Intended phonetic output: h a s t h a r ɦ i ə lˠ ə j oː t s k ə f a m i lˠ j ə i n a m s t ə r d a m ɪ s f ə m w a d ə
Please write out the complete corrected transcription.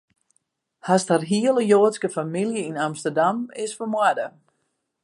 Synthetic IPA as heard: h a s t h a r ɦ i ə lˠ ə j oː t s k ə f a m i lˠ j ə i n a m s t ə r d a m ɪ s f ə m w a d ə

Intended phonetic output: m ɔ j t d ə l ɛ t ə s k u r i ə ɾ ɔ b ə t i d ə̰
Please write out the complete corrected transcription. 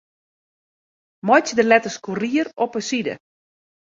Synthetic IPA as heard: m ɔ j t d ə l ɛ t ə s k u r i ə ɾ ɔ p ə s i d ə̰

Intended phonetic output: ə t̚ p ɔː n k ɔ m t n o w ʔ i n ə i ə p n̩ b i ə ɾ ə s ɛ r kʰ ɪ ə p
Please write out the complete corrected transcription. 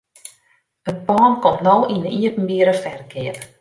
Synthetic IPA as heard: ə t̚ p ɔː n k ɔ m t n o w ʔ i n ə i ə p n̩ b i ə ɾ ə f ɛ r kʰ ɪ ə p

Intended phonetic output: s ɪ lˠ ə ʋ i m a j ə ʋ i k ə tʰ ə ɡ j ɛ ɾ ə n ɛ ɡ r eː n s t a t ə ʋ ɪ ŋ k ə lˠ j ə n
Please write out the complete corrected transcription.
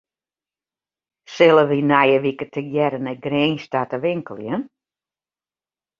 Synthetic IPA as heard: s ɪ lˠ ə ʋ i n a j ə ʋ i k ə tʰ ə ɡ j ɛ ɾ ə n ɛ ɡ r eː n s t a t ə ʋ ɪ ŋ k ə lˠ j ə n

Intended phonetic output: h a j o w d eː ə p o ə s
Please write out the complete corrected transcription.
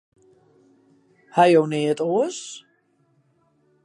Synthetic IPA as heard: h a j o w n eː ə t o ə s

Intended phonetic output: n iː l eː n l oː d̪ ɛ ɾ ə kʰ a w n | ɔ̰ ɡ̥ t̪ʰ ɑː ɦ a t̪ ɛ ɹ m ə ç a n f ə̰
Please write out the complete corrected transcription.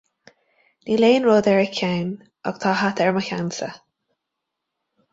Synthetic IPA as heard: n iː l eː n ɹ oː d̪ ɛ ɹ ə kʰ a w n | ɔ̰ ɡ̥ t̪ʰ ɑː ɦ a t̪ ɛ ɹ m ə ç a n s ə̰

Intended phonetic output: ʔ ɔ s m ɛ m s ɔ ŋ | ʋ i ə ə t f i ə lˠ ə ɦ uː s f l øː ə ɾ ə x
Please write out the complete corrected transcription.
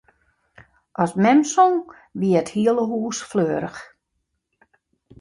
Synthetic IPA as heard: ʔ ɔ s m ɛ m s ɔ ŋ | ʋ i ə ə t h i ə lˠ ə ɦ uː s f l øː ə ɾ ə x

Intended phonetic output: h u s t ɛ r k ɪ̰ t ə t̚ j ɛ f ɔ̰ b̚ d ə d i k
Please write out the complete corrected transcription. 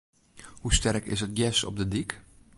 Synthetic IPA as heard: h u s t ɛ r k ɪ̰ s ə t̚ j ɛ s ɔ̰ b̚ d ə d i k

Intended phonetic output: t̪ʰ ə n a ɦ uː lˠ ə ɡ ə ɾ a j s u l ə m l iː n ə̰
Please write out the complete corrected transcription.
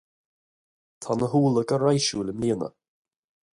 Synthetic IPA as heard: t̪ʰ a n ə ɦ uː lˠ ə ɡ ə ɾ a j ʃ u l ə m l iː n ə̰

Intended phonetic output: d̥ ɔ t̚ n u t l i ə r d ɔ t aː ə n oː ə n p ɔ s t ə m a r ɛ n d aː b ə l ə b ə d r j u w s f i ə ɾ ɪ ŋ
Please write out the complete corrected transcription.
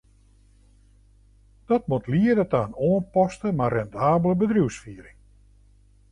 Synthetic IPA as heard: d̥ ɔ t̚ m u t l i ə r d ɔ t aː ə n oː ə n p ɔ s t ə m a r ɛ n d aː b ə l ə b ə d r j u w s f i ə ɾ ɪ ŋ

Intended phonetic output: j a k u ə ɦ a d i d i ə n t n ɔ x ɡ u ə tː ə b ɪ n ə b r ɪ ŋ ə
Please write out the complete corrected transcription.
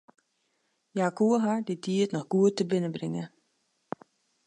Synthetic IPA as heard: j a k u ə ɦ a d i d i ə t n ɔ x ɡ u ə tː ə b ɪ n ə b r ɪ ŋ ə

